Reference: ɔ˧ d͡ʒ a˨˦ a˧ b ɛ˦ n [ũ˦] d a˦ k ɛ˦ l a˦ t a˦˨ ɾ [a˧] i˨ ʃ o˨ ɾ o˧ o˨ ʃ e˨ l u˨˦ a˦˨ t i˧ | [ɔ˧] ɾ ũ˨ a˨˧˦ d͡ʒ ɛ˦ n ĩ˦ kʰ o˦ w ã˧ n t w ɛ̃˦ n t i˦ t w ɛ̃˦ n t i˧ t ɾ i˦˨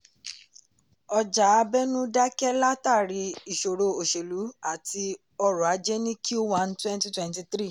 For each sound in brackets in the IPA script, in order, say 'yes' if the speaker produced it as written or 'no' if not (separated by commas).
yes, no, yes